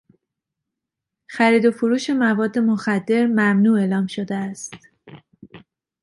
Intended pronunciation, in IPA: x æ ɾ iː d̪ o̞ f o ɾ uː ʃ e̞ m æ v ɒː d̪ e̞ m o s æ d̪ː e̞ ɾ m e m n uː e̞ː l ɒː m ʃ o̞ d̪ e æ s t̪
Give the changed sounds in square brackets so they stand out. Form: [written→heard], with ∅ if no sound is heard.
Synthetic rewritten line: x æ ɾ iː d̪ o̞ f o ɾ uː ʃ e̞ m æ v ɒː [d̪→d̪ː] e̞ m o [s→x] æ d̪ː e̞ ɾ m [e→æ] m n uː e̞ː l ɒː m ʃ o̞ d̪ e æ s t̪